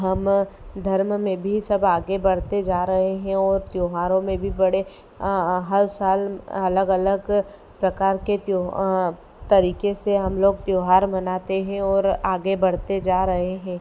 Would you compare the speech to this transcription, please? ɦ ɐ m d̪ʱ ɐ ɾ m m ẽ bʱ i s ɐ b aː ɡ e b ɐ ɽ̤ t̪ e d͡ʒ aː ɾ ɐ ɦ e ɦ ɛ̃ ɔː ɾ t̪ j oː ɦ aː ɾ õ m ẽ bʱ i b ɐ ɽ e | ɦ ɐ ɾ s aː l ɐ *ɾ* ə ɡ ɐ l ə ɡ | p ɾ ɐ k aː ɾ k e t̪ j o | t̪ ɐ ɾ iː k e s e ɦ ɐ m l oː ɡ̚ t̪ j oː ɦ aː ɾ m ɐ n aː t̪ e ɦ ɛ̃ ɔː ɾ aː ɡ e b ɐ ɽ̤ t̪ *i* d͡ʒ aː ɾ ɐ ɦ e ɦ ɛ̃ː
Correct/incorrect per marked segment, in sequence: incorrect: l, incorrect: e

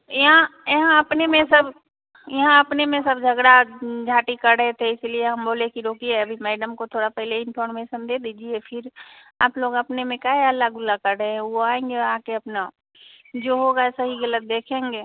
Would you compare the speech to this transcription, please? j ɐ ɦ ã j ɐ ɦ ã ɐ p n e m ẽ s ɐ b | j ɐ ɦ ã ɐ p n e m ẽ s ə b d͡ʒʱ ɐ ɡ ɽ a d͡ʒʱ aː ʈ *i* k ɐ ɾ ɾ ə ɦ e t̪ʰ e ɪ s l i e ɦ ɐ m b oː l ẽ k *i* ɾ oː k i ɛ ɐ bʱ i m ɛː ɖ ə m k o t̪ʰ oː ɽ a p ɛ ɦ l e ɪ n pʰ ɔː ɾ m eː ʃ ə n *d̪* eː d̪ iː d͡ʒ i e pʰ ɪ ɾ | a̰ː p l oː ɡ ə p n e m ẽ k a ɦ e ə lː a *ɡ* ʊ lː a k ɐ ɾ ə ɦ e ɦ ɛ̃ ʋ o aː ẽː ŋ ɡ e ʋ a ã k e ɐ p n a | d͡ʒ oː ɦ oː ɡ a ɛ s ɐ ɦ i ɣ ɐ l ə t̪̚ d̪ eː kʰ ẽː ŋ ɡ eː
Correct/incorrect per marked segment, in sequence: correct, correct, correct, correct

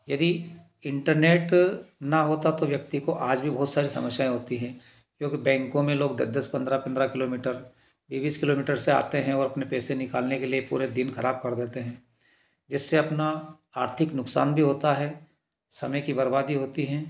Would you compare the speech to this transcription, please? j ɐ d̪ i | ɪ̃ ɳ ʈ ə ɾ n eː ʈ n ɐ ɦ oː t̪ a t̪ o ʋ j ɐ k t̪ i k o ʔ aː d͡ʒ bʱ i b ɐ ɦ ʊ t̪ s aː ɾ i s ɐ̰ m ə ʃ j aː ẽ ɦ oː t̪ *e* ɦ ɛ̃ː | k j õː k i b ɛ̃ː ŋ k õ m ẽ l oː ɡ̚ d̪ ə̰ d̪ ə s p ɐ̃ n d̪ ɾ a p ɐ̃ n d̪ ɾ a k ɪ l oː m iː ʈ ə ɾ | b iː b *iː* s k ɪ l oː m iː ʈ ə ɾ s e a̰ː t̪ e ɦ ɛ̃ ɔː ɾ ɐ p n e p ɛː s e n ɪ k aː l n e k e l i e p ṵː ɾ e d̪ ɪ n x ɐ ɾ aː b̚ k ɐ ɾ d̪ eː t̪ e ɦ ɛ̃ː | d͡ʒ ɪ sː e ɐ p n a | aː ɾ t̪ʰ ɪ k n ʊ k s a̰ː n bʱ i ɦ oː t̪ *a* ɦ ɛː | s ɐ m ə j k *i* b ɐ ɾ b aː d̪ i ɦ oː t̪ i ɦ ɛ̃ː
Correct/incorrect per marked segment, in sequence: incorrect: i, correct, correct, correct

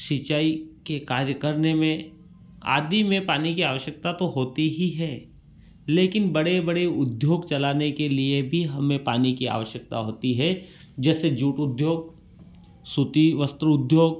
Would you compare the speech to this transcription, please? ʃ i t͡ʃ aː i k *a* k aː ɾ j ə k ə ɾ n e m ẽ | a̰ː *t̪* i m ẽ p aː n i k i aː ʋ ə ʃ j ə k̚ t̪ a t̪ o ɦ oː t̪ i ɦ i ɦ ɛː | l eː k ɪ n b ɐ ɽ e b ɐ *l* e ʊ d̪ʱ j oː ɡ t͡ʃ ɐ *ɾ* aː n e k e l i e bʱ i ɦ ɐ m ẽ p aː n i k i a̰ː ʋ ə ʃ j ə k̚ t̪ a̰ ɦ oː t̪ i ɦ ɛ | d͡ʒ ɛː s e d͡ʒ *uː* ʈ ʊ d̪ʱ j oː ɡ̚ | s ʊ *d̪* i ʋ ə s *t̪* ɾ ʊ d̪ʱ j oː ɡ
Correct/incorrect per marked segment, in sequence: incorrect: e, incorrect: d̪, incorrect: ɽ, incorrect: l, correct, incorrect: t̪, correct

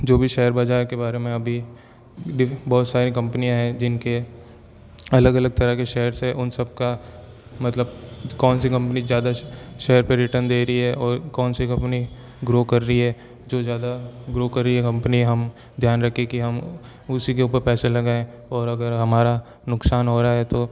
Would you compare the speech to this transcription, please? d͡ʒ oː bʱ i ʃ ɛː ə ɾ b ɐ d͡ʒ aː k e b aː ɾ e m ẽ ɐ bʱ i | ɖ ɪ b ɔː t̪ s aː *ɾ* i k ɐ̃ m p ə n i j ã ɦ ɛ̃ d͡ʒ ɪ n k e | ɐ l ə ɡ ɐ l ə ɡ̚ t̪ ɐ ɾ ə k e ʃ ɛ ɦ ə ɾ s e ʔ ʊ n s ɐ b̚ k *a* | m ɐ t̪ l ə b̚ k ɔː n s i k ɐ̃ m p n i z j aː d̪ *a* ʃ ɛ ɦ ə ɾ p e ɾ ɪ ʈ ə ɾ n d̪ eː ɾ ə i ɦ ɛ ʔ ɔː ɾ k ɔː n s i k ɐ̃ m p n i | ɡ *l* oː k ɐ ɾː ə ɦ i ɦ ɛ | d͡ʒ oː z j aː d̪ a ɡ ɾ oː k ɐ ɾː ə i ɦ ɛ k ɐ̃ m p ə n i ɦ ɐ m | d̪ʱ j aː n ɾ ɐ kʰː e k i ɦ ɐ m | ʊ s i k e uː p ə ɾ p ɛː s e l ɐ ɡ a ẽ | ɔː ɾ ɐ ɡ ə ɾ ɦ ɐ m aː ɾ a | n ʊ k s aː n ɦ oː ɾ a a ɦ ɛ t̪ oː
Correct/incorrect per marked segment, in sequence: correct, correct, correct, incorrect: ɾ

